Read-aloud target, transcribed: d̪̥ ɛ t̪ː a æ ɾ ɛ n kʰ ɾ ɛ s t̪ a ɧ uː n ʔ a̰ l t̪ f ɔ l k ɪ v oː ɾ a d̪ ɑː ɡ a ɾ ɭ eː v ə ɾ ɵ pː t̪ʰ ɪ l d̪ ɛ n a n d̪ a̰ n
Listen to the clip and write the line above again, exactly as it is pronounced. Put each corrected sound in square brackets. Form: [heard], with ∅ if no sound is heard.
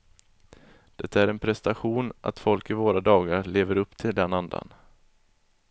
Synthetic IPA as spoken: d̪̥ ɛ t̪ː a æ ɾ ɛ n [pʰ] ɾ ɛ s t̪ a ɧ uː n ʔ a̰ [∅] t̪ f ɔ l k ɪ v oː ɾ a d̪ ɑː ɡ a ɾ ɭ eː v ə ɾ ɵ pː t̪ʰ ɪ l d̪ ɛ n a n d̪ a̰ n